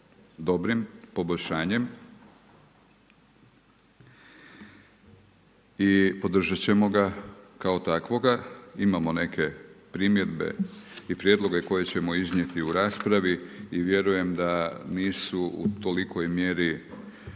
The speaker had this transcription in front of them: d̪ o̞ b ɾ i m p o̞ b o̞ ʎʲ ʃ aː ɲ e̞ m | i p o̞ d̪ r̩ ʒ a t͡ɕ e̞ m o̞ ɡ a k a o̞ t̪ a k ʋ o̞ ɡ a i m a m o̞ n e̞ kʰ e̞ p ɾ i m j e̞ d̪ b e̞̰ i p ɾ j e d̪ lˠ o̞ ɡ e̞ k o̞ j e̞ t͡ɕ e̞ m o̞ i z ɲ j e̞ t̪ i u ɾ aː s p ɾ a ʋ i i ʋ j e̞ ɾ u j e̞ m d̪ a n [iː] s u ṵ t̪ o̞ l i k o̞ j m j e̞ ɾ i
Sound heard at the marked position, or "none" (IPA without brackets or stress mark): iː